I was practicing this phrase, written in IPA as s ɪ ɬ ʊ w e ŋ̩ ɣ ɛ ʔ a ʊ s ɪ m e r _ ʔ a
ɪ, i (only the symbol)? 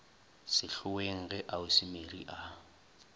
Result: i